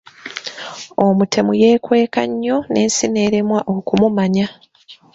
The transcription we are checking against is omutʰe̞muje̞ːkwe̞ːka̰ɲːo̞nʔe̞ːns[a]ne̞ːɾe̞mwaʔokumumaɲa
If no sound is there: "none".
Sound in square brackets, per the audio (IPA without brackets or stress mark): i